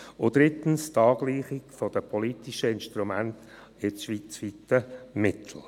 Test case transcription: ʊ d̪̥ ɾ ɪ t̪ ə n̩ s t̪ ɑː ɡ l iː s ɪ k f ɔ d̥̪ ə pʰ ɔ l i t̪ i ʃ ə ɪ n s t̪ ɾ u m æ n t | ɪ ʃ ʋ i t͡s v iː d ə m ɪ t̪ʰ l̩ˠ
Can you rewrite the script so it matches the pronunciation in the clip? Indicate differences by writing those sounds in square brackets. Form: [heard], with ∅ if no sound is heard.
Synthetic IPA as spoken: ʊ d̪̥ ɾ ɪ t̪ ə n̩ s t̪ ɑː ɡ l iː [χ] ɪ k f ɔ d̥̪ ə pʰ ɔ l i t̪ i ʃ ə ɪ n [ʃ] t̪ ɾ u m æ n t | ɪ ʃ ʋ i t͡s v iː [t] ə m ɪ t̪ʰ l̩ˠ